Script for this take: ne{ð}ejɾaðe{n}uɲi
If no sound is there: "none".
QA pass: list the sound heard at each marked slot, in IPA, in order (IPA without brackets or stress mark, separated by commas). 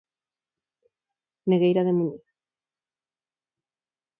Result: ɣ, m